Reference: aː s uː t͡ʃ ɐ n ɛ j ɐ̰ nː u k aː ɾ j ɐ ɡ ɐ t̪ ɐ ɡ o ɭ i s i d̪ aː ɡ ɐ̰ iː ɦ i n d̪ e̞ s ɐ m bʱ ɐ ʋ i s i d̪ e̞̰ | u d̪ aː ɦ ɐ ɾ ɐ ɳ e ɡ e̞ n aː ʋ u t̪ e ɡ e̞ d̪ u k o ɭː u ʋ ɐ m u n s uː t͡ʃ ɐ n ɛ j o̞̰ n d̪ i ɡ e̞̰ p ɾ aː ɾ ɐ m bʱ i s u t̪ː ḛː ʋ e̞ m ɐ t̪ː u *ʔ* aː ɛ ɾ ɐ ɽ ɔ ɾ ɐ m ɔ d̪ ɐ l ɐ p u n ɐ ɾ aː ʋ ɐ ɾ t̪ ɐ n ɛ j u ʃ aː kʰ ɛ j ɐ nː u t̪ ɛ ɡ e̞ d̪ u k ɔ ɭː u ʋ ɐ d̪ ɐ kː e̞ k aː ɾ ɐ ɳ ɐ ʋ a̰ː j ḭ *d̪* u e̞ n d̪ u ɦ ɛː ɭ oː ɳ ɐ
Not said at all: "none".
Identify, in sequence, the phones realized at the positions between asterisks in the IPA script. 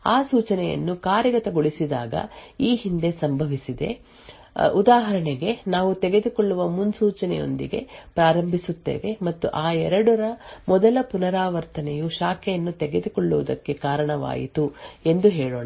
ʔ, t̪

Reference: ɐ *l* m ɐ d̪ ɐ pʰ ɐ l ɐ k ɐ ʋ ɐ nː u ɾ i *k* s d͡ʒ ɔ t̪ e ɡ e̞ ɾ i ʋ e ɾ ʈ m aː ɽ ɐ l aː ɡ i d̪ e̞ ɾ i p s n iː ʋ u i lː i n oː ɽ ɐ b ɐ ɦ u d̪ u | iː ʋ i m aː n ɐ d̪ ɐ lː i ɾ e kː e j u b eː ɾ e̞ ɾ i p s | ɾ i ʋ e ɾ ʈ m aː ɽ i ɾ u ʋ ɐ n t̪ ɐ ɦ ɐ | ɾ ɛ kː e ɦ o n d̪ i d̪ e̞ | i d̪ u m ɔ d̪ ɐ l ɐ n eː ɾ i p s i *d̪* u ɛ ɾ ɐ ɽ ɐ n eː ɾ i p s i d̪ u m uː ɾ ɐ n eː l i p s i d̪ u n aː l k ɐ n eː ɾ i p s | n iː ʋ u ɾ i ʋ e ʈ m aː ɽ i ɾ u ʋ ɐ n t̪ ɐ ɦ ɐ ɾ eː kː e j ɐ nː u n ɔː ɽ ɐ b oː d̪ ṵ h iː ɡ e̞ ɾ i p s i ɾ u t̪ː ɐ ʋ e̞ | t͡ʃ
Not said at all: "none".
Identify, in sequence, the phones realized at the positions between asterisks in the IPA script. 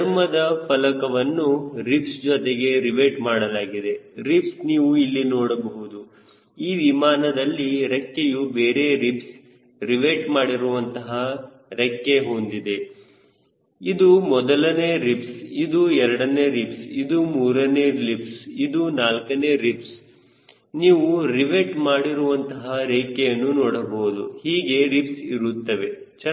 ɾ, p, d̪

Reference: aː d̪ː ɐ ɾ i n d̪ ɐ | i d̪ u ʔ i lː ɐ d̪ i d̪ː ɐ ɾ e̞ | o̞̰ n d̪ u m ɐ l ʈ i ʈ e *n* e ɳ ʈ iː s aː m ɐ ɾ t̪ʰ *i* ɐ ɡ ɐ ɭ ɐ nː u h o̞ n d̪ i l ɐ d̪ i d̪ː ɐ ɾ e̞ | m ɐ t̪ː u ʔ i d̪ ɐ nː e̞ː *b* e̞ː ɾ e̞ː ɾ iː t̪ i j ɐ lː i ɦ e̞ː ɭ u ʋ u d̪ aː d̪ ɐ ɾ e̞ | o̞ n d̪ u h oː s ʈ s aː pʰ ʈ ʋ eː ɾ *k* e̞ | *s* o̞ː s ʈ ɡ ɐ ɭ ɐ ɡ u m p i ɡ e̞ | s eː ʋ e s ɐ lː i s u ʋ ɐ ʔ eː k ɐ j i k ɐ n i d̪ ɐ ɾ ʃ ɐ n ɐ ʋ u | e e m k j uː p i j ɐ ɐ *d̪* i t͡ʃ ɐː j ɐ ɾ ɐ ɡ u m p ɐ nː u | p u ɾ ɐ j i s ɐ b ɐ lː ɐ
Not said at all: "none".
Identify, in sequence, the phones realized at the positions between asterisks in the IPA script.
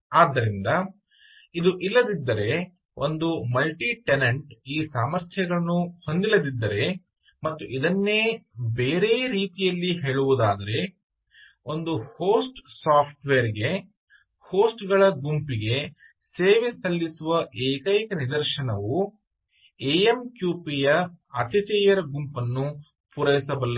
n, j, b, ɡ, h, t̪

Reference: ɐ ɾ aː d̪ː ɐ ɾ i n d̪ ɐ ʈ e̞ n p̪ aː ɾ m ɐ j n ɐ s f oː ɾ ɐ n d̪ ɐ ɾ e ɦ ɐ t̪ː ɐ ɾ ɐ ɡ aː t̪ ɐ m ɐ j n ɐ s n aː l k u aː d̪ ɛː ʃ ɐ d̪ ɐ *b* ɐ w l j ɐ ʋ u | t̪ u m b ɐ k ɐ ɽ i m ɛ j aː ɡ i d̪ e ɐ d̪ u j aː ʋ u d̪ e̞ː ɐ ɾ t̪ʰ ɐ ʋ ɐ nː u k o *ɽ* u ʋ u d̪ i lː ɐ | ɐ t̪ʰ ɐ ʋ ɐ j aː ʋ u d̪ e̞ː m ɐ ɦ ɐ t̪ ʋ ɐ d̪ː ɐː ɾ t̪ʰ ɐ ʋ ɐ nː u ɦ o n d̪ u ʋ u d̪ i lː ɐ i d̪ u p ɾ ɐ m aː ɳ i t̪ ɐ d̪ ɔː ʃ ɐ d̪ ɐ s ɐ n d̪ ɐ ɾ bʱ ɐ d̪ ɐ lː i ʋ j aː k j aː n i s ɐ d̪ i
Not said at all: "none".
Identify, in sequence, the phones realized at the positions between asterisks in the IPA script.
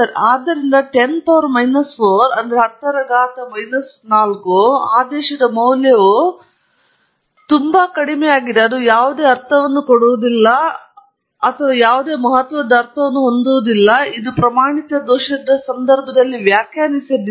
m, ɽ

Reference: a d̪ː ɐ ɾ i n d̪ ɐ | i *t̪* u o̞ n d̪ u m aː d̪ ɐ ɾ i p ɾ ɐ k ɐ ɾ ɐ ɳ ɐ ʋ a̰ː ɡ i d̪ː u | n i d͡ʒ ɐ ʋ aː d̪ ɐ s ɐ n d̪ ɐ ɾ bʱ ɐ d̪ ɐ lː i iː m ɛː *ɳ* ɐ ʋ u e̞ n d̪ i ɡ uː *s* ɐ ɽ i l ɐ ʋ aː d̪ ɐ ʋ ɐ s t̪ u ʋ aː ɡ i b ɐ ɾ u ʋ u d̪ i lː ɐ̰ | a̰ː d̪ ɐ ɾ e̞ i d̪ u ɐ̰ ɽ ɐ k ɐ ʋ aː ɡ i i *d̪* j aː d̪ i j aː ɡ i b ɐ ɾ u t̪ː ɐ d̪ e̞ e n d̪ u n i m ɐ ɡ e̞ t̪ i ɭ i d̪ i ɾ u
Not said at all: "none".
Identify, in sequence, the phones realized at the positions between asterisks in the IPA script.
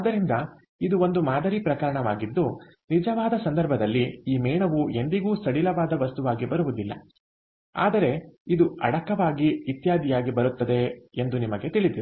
d̪, ɳ, s, t̪

